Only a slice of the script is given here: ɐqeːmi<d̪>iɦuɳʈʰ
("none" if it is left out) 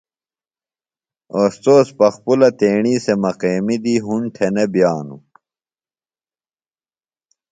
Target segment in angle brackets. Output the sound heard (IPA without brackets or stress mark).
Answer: d̪